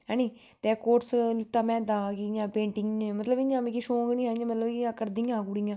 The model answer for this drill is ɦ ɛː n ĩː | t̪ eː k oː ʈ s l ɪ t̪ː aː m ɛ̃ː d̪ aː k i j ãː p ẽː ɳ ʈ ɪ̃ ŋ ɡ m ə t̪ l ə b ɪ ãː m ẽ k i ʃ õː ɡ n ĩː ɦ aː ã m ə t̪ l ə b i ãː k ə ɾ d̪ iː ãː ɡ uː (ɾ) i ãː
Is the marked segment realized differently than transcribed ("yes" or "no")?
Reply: yes